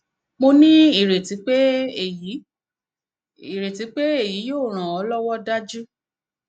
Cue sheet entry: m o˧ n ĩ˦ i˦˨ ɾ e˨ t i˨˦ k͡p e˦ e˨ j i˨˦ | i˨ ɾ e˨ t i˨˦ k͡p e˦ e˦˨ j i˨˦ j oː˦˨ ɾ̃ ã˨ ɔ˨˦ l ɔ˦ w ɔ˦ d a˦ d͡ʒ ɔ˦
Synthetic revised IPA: m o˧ n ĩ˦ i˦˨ ɾ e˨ t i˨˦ k͡p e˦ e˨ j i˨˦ | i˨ ɾ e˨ t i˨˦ k͡p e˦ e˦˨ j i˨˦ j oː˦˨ ɾ̃ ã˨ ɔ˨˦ l ɔ˦ w ɔ˦ d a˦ d͡ʒ u˦